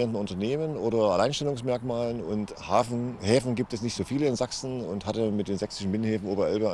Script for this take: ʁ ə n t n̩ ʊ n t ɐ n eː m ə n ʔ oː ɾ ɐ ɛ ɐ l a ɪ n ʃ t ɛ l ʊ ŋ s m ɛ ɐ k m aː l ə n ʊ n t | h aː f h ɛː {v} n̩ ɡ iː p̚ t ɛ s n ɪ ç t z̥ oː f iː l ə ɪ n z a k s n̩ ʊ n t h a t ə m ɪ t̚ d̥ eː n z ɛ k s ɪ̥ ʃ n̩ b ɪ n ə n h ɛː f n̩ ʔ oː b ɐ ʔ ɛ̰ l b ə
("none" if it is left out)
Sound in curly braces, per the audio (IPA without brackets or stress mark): f